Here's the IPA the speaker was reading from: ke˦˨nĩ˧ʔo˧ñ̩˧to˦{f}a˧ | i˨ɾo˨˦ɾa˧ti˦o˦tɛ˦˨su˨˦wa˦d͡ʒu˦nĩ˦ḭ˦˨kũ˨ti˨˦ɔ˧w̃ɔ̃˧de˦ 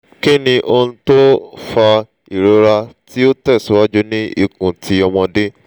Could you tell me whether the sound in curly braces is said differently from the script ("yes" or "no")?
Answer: no